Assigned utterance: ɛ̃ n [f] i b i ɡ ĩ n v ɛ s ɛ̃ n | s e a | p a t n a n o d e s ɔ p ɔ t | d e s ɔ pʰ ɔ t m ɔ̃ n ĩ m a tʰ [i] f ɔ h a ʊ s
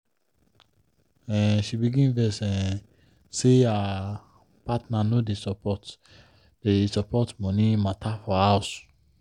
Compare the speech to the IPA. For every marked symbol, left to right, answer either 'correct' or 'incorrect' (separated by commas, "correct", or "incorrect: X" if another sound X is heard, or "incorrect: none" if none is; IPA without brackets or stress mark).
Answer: incorrect: ʃ, incorrect: a